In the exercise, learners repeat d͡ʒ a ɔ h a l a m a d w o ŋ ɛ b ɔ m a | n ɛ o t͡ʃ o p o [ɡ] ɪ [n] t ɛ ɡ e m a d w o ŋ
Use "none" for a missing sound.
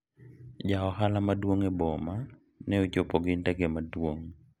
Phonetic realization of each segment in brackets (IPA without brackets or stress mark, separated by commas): ɡ, n